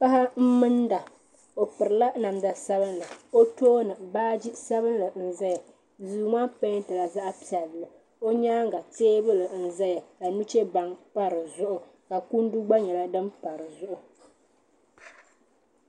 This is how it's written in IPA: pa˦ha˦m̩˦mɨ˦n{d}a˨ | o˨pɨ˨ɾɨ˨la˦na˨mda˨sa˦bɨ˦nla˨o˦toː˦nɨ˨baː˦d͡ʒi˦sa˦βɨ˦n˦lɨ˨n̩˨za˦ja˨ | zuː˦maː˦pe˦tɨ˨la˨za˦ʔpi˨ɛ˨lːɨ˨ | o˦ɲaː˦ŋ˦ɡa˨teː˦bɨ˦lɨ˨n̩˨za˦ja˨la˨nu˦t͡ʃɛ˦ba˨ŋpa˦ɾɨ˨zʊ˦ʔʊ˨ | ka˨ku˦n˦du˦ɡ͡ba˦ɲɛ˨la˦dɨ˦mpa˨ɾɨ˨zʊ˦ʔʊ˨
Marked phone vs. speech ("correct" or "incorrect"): correct